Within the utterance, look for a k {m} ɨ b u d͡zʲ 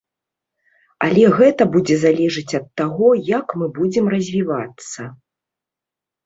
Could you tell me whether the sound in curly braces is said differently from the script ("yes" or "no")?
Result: no